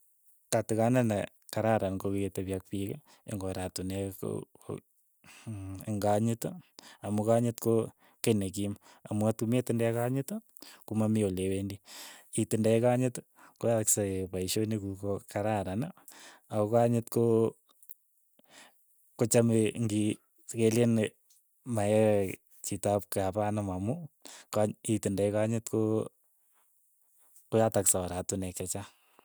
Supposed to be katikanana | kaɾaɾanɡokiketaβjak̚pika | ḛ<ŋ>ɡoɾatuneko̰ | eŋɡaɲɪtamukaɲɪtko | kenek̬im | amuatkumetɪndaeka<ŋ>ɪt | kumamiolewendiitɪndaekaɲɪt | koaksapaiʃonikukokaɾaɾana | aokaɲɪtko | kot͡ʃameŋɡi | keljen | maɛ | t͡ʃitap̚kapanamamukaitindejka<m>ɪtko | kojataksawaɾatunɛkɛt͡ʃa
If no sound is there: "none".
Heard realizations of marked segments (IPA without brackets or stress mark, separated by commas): ŋ, ɲ, ɲ